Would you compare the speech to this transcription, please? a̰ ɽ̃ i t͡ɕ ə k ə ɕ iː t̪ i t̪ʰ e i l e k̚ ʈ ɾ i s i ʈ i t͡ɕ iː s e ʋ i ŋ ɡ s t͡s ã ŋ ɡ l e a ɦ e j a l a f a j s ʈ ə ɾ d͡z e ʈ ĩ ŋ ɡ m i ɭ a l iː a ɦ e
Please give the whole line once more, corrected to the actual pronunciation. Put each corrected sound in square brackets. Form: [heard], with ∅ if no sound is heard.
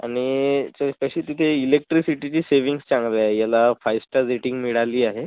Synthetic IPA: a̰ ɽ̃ i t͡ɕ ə k ə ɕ iː t̪ i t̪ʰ e i l e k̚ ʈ ɾ i s i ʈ i t͡ɕ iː s e ʋ i ŋ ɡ s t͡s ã ŋ ɡ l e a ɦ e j a l a f a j s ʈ ə ɾ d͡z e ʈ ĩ ŋ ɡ m i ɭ a l iː a ɦ e